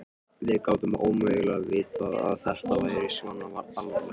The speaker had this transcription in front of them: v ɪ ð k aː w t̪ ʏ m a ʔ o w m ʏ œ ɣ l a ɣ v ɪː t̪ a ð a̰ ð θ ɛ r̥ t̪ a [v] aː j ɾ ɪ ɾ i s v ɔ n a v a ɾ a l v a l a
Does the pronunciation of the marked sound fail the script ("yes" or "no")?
no